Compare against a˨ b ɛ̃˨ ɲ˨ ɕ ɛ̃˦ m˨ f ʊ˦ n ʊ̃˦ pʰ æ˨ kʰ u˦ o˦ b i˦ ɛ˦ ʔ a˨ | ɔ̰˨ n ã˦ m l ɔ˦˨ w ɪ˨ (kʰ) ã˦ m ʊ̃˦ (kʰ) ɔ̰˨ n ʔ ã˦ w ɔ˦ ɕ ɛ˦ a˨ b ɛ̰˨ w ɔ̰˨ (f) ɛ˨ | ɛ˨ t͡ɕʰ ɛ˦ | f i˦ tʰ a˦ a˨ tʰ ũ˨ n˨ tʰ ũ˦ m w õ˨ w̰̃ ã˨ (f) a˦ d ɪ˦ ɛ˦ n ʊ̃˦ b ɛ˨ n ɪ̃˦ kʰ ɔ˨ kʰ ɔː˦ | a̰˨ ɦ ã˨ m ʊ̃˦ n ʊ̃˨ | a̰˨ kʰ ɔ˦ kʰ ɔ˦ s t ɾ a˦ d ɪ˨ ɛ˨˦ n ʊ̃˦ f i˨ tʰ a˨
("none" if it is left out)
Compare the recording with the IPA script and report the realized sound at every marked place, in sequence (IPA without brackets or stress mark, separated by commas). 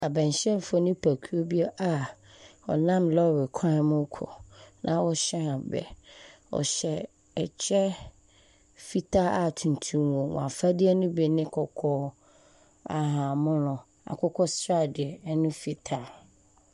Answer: kʰ, kʰ, ɕ, f